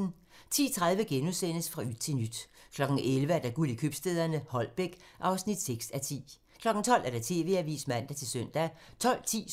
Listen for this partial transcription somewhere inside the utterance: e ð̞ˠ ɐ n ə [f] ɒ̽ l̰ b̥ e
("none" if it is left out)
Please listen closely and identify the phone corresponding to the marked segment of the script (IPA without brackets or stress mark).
h